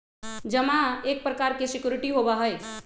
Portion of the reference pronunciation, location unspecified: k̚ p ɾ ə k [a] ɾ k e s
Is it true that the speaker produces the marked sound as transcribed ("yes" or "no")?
yes